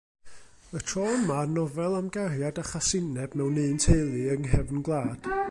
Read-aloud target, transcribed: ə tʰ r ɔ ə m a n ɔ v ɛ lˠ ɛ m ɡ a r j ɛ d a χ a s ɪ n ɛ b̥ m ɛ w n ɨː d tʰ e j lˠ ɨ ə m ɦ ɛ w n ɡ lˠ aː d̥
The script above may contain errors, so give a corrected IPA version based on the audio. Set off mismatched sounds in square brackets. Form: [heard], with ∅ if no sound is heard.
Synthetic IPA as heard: ə tʰ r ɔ ə m a n ɔ v ɛ lˠ [a] m ɡ a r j [a] d a χ a s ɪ n ɛ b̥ m ɛ w n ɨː [n] tʰ e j lˠ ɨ ə [ŋ] ɦ ɛ [v] n ɡ lˠ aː d̥